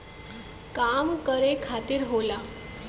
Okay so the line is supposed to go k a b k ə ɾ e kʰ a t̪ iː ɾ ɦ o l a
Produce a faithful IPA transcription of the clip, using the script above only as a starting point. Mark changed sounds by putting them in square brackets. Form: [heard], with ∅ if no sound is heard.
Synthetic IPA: k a [m] k ə ɾ e kʰ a t̪ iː ɾ ɦ o l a

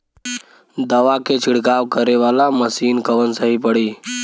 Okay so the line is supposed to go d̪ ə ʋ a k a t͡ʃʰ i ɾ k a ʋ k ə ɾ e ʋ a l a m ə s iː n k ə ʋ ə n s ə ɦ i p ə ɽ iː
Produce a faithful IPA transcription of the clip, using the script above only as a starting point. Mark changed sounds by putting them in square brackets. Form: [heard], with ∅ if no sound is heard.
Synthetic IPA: d̪ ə ʋ a k [e] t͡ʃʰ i [ɽ] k a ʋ k ə ɾ e ʋ a l a m ə s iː n k ə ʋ ə n s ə ɦ i p ə ɽ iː

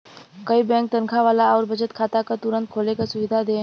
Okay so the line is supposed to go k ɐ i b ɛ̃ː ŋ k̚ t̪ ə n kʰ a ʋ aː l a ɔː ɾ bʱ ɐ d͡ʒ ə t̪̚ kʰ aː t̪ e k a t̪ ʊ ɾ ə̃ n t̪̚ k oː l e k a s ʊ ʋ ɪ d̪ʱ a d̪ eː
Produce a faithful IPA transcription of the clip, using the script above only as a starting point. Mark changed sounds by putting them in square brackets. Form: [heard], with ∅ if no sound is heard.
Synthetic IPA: k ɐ i b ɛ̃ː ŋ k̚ t̪ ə n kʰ a ʋ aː l a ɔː ɾ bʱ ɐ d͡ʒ ə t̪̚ kʰ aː t̪ [a] k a t̪ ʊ ɾ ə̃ n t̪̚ [kʰ] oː l e k a s ʊ ʋ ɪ d̪ʱ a d̪ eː

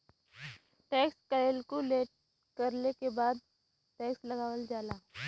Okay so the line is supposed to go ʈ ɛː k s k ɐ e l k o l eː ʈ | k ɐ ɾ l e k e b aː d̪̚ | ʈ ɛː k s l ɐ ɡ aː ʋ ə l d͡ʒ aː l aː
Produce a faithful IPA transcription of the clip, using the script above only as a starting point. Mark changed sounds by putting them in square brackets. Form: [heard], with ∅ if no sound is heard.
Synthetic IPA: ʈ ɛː k s k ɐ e l k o l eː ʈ | k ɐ ɾ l e k e b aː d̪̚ | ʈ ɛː k s l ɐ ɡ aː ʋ ə l d͡ʒ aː l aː

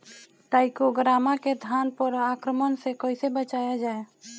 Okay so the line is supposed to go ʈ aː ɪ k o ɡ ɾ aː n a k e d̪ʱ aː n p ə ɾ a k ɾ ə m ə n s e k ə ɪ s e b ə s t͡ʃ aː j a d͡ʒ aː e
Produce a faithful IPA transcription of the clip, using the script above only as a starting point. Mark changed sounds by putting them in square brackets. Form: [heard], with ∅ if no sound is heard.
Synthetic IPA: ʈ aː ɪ k o ɡ ɾ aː [m] a k e d̪ʱ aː n p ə ɾ a k ɾ ə m ə n s e k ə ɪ s e b ə [∅] t͡ʃ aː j a d͡ʒ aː e

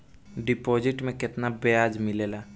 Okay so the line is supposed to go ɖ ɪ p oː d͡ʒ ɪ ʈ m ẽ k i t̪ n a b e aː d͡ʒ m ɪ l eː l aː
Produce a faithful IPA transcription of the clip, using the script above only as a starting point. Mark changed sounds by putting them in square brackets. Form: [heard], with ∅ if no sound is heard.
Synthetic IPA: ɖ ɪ p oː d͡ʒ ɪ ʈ m ẽ k [ɪ] t̪ n a b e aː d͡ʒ m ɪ l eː l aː

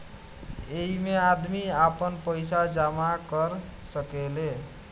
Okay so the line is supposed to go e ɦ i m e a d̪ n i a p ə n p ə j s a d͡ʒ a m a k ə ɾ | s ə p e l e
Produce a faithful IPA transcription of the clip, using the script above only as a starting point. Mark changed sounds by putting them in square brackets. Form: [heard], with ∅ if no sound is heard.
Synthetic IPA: e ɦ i m e a d̪ [m] i a p ə n p ə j s a d͡ʒ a m a k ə ɾ | s ə [k] e l e

